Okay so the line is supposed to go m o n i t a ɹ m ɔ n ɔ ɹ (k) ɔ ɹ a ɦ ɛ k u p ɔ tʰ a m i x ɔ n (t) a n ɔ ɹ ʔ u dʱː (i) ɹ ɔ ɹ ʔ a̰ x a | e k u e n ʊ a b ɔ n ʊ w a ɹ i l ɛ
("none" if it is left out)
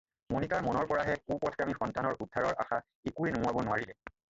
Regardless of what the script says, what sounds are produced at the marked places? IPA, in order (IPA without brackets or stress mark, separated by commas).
p, t, a